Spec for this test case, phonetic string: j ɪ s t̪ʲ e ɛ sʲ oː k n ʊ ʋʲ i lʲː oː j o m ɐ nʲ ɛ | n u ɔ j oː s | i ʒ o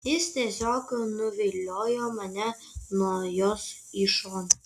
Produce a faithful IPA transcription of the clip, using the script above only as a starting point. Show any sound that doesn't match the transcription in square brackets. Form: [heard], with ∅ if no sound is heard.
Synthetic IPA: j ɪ s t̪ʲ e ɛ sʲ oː k n ʊ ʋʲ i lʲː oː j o m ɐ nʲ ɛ | n u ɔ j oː s | i [ʃ] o